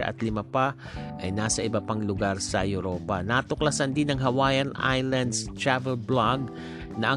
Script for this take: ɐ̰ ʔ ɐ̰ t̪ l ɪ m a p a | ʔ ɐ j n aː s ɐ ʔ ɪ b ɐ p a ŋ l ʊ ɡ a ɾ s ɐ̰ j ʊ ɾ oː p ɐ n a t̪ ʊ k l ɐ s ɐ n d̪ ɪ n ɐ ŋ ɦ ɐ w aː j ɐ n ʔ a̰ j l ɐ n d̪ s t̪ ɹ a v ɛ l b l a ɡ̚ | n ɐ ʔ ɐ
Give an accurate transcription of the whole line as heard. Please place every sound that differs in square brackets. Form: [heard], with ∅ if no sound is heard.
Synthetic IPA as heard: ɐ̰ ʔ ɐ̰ t̪ l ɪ m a p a | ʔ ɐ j n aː s ɐ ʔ ɪ b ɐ p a ŋ l ʊ ɡ a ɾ s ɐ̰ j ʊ ɾ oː p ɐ n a t̪ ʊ k l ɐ s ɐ n d̪ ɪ n ɐ ŋ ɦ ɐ w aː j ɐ n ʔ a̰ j l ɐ n d̪ s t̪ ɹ a v ɛ l b l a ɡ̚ | n ɐ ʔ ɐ